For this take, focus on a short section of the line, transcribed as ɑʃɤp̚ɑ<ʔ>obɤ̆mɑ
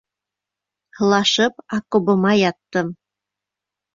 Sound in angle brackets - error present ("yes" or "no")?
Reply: yes